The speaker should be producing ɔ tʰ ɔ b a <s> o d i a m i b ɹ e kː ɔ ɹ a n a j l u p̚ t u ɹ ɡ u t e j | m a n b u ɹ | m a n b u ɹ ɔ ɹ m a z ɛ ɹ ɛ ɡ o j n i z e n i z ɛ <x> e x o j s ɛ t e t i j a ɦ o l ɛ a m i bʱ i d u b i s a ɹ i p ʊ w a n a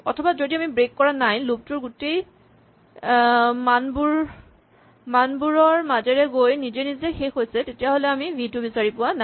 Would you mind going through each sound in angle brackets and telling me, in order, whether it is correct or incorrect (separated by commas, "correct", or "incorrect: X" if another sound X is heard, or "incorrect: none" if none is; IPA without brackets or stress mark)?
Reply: incorrect: z, correct